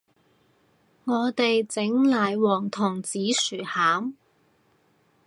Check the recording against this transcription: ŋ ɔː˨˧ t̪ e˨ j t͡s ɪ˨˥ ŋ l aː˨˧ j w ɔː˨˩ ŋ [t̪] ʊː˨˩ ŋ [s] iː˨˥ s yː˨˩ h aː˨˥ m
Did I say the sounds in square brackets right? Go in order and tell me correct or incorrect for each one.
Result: incorrect: t̪ʰ, incorrect: t͡s

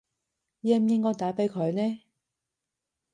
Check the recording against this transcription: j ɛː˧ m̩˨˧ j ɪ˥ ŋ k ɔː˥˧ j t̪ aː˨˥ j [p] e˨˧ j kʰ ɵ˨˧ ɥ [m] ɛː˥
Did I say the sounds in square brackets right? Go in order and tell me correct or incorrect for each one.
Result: correct, incorrect: n

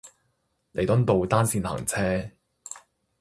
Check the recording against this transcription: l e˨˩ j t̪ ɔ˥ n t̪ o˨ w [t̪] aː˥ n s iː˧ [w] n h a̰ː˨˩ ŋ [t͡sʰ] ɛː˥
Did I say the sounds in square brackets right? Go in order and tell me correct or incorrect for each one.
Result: correct, incorrect: none, correct

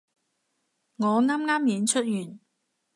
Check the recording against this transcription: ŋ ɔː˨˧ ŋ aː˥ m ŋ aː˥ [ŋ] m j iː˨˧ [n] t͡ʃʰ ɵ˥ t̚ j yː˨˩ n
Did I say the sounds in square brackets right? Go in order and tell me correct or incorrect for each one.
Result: incorrect: none, correct

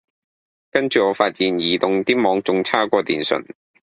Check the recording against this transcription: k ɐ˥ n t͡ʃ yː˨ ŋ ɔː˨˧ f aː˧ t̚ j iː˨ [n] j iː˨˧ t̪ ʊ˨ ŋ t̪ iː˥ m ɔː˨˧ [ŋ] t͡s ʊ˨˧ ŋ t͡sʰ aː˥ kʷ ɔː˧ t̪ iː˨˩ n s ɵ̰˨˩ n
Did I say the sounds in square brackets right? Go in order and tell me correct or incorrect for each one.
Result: correct, correct

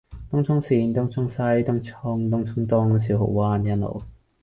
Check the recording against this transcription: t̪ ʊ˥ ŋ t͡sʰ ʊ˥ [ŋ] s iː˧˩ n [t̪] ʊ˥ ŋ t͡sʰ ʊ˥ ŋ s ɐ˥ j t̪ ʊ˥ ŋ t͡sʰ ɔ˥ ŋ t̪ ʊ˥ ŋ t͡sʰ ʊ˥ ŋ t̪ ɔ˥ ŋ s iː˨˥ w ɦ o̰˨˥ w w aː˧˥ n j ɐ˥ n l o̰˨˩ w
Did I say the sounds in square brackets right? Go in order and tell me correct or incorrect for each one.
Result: correct, correct

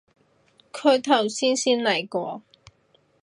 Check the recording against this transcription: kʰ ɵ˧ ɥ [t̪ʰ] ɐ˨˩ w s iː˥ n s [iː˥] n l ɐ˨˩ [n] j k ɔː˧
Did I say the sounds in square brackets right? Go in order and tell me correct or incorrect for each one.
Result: correct, correct, incorrect: none

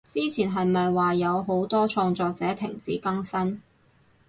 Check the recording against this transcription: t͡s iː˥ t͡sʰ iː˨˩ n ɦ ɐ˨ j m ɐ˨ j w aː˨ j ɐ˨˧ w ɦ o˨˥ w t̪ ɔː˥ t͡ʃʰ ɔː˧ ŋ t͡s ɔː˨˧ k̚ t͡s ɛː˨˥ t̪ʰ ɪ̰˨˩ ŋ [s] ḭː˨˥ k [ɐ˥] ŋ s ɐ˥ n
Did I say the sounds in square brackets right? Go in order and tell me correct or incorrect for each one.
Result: incorrect: t͡s, correct

